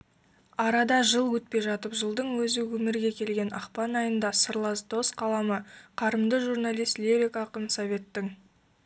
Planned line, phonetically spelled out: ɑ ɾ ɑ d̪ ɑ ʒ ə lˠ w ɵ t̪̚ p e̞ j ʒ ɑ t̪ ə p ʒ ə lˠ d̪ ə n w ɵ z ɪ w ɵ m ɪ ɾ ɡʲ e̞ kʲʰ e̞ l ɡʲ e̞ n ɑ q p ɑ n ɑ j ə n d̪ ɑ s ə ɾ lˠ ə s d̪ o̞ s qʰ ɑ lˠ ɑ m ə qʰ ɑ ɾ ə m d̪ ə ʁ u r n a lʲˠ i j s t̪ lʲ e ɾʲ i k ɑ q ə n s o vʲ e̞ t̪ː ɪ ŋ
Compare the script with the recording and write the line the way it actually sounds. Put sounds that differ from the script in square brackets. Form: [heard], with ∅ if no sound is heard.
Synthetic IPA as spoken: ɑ ɾ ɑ d̪ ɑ ʒ ə lˠ w ɵ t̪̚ p e̞ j ʒ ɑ t̪ ə p ʒ ə lˠ d̪ ə [ɴ] w ɵ z ɪ w ɵ m ɪ ɾ ɡʲ e̞ kʲʰ e̞ l ɡʲ e̞ n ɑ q p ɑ n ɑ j ə n d̪ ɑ s ə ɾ lˠ [ɑ] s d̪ o̞ s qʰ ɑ lˠ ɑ m ə qʰ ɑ ɾ ə m d̪ ə [ʒ] u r n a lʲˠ i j s t̪ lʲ e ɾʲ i k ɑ q ə n s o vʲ e̞ t̪ː ɪ ŋ